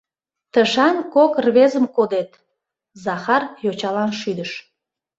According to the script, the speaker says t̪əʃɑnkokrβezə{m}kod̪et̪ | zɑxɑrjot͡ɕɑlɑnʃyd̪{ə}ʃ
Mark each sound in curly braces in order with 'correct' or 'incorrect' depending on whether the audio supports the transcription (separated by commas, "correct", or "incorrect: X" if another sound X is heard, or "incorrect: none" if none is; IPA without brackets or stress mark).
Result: correct, correct